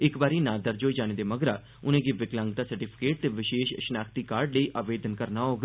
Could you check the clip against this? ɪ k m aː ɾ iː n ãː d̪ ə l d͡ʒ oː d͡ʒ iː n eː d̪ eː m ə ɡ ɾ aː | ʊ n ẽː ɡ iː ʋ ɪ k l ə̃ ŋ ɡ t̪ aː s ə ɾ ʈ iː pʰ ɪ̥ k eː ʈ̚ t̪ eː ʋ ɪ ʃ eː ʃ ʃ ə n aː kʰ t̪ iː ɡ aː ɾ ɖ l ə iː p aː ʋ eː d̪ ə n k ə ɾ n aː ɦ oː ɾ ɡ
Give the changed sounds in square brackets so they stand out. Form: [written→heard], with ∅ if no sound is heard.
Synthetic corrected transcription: ɪ k [m→b] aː ɾ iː n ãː d̪ ə [l→ɾ] d͡ʒ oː d͡ʒ [iː→aː] n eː d̪ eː m ə ɡ ɾ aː | ʊ n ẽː ɡ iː ʋ ɪ k l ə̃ ŋ ɡ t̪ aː s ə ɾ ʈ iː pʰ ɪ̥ k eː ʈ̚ t̪ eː ʋ ɪ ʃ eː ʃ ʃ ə n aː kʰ t̪ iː [ɡ→k] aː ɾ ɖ l ə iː [p→ʔ] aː ʋ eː d̪ ə n k ə ɾ n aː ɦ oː [ɾ→∅] ɡ